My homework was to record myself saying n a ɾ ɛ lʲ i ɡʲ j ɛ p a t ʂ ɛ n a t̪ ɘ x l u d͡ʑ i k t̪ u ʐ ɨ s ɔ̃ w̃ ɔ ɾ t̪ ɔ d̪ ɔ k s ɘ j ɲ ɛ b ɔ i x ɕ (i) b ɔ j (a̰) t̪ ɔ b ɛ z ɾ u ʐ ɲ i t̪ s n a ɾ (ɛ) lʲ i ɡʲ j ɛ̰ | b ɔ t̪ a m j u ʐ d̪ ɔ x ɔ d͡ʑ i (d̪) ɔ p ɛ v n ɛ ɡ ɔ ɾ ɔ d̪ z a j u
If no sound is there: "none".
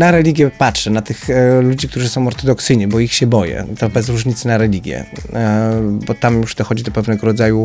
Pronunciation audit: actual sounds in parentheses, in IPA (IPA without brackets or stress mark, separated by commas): ɛ, ɛ̰, ɛ, d̪